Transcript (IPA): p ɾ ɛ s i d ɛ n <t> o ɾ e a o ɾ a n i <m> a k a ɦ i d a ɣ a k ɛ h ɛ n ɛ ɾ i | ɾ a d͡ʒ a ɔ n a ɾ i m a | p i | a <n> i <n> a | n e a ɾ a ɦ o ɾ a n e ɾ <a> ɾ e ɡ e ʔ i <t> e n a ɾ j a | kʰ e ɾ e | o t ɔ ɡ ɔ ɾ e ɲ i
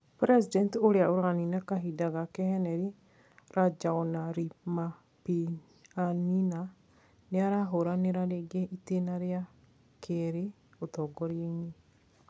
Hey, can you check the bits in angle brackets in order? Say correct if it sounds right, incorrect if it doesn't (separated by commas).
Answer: correct, incorrect, correct, correct, correct, correct